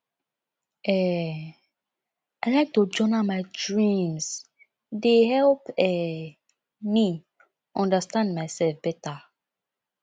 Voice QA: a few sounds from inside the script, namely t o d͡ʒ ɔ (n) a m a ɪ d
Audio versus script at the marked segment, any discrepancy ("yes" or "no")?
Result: no